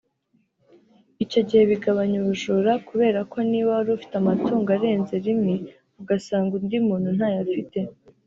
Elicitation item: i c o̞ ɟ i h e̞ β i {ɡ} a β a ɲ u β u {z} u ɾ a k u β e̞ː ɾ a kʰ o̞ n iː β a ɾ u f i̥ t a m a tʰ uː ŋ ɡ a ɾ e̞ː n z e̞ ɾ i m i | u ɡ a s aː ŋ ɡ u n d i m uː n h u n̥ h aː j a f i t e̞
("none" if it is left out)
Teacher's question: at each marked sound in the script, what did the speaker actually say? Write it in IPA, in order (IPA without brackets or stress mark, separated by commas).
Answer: ɡ, ʒ